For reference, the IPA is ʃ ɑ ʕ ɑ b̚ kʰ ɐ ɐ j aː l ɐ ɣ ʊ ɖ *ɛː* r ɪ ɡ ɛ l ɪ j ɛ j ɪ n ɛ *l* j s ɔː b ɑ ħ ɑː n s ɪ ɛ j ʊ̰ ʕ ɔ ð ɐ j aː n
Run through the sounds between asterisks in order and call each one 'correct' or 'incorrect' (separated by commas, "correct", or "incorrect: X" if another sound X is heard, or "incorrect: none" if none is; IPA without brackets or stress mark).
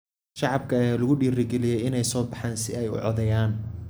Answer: incorrect: iː, incorrect: none